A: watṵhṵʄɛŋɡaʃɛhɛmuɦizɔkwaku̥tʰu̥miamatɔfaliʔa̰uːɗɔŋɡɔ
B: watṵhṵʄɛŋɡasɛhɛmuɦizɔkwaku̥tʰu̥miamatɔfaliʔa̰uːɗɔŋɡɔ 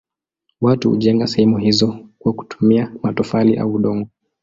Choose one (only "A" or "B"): B